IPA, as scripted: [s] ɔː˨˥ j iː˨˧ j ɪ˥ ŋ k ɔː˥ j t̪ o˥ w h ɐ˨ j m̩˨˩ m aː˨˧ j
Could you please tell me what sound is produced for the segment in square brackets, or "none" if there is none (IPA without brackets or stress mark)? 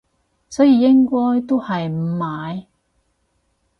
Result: s